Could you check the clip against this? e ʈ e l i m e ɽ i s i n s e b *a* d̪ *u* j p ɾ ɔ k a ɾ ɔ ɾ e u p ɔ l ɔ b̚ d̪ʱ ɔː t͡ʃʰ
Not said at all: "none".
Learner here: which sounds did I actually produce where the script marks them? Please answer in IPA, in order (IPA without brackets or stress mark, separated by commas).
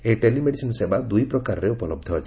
a, u